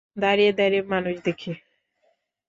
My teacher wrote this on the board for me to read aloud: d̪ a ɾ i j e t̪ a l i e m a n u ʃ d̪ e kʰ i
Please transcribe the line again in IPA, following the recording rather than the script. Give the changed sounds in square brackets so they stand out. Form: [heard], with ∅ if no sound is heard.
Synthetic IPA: d̪ a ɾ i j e [d̪] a [ɾ] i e m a n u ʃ d̪ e kʰ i